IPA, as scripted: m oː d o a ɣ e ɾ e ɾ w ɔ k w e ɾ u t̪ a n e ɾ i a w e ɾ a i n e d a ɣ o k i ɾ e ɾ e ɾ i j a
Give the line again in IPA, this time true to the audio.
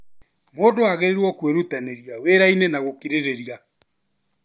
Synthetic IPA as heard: m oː d o a ɣ e ɾ e ɾ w ɔ k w e ɾ u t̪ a n e ɾ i a w e ɾ a i n e n a ɣ o k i ɾ e ɾ e ɾ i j a